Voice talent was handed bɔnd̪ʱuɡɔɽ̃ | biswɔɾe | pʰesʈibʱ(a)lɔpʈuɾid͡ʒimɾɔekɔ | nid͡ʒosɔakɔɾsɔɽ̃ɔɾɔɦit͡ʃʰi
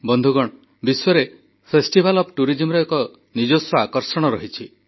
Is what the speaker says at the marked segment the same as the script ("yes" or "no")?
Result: yes